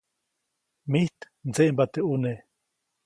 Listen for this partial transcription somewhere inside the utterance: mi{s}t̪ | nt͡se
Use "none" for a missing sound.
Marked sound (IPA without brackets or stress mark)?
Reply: h